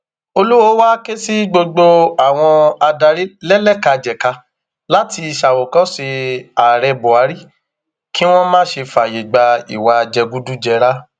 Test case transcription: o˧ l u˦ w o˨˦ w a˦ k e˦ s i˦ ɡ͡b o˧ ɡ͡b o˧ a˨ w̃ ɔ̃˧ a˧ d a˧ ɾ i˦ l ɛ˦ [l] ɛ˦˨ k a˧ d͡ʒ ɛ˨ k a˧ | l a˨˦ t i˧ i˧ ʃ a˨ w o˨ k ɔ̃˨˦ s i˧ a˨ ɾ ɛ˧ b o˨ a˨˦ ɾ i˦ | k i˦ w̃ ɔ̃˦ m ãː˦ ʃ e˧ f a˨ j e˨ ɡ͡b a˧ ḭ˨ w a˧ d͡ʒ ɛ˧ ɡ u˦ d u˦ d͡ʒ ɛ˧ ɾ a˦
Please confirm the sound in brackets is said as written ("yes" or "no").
yes